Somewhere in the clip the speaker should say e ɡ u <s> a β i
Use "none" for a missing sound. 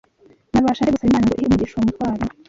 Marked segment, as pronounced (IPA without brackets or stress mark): s